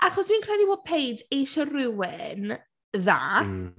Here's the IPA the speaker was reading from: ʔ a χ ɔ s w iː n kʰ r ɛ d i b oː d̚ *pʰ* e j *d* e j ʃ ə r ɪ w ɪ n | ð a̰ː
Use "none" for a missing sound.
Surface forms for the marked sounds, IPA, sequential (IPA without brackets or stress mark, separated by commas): pʰ, d